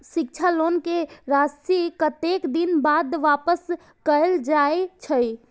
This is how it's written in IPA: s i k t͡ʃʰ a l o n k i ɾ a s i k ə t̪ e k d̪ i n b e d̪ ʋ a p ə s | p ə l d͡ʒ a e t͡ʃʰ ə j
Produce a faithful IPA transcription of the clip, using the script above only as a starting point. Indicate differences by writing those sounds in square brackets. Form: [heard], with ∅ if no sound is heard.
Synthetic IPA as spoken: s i k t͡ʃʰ a l o n k [e] ɾ a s i k ə t̪ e k d̪ i n b [a] d̪ ʋ a p ə s | [k] ə l d͡ʒ a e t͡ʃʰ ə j